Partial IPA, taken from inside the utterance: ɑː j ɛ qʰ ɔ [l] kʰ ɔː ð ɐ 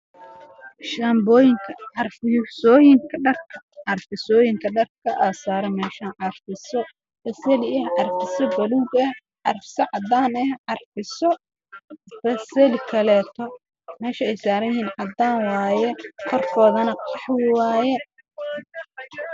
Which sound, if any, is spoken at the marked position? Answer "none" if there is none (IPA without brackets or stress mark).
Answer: r